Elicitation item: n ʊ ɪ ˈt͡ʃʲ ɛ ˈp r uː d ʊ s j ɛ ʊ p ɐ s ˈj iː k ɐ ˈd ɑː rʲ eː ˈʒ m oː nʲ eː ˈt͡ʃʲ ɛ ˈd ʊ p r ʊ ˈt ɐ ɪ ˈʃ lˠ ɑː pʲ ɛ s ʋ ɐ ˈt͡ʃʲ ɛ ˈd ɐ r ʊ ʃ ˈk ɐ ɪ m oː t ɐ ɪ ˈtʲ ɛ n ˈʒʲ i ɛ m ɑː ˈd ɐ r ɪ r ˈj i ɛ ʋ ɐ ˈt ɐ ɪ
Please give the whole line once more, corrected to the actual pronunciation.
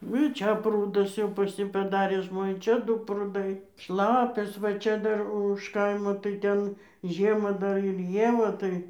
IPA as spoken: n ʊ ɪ ˈt͡ʃʲ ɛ ˈp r uː d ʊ s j ɛ ʊ p ɐ s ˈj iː p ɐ ˈd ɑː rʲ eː ˈʒ m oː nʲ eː ˈt͡ʃʲ ɛ ˈd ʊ p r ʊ ˈd ɐ ɪ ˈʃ lˠ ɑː pʲ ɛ s ʋ ɐ ˈt͡ʃʲ ɛ ˈd ɐ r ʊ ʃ ˈk ɐ ɪ m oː t ɐ ɪ ˈtʲ ɛ n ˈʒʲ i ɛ m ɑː ˈd ɐ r ɪ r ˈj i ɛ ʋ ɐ ˈt ɐ ɪ